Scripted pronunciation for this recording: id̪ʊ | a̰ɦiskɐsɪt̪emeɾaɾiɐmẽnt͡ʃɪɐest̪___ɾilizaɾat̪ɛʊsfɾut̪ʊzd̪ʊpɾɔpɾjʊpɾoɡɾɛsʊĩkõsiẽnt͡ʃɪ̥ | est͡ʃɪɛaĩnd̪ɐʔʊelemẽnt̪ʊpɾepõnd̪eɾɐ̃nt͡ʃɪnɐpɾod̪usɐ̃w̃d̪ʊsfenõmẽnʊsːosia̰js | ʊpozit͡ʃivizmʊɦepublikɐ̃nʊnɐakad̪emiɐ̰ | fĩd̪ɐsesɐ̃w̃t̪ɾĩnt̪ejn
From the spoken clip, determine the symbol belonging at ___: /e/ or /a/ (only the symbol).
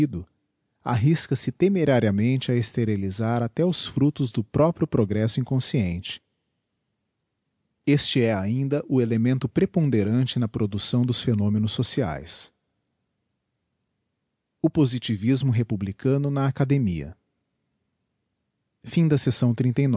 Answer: e